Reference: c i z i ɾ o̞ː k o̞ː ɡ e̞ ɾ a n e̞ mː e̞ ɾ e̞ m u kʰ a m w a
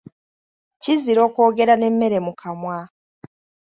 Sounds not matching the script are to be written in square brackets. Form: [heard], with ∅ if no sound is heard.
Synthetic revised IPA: c i z i ɾ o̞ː k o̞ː ɡ e̞ ɾ a n e̞ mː e̞ ɾ e̞ m u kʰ a m w a